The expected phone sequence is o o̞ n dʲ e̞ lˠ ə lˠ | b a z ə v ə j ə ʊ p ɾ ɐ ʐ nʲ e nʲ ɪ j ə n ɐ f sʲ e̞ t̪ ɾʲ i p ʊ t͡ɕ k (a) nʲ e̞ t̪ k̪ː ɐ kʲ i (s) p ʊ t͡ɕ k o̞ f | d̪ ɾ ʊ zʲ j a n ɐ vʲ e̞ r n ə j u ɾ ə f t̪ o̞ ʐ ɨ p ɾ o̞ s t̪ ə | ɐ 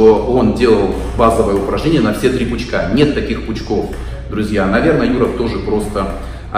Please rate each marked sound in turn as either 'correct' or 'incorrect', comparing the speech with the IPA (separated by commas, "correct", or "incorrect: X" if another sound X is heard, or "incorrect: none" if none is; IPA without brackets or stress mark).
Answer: correct, incorrect: x